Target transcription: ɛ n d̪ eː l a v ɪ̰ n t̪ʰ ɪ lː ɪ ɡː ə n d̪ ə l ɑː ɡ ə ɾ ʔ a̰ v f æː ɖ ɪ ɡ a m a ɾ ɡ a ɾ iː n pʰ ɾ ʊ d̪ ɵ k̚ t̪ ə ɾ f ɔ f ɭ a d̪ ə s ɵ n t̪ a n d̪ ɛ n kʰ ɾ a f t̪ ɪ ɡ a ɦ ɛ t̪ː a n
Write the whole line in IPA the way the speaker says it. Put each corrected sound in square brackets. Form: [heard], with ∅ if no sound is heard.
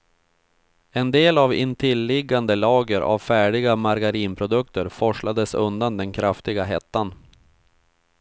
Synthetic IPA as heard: ɛ n d̪ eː l a v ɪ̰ n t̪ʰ ɪ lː ɪ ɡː [a] n d̪ ə l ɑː ɡ ə ɾ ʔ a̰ v f æː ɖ ɪ ɡ a m a ɾ ɡ a ɾ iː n pʰ ɾ ʊ d̪ ɵ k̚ t̪ ə ɾ f ɔ [ʂ] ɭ a d̪ ə s ɵ n [d̪] a n d̪ ɛ n kʰ ɾ a f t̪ ɪ ɡ a ɦ ɛ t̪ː a n